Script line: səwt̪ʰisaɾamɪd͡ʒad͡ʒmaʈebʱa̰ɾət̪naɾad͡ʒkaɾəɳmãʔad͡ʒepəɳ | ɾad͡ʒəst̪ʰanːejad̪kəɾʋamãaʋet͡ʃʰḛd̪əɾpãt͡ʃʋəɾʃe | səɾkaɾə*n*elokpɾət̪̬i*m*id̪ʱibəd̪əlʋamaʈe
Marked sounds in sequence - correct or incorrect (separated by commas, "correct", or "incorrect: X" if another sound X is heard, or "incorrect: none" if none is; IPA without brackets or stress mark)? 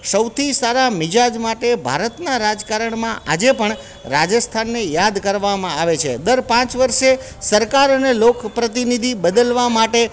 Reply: correct, incorrect: n